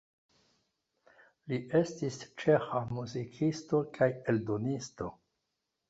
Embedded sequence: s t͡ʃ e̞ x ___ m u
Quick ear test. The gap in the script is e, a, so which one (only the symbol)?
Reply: a